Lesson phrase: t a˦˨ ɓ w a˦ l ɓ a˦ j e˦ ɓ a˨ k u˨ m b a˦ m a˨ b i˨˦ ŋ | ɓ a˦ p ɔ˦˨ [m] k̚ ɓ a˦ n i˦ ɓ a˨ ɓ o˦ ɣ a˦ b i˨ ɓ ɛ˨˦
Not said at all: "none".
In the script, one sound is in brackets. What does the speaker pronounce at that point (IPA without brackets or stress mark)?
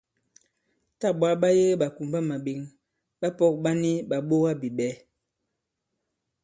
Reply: none